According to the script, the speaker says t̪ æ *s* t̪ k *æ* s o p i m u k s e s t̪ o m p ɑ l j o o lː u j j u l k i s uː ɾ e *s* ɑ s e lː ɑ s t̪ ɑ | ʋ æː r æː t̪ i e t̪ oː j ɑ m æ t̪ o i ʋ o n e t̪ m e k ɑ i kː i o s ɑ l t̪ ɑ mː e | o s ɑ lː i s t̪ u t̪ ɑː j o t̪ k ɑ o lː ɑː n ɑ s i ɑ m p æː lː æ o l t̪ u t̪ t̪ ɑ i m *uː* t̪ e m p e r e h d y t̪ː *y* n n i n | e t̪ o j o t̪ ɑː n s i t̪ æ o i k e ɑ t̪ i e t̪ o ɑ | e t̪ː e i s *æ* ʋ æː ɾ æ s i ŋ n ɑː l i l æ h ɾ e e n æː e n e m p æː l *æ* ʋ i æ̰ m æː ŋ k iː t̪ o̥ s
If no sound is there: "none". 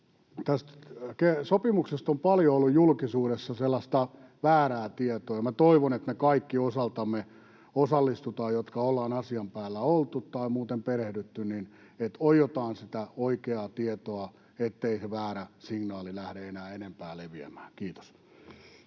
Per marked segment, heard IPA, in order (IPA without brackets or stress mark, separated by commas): s, e, sː, uː, y, e, e